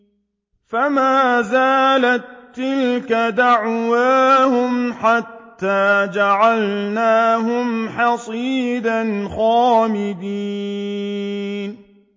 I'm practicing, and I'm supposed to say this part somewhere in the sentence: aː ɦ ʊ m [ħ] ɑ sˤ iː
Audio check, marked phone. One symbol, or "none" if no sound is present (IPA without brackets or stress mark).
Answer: ħ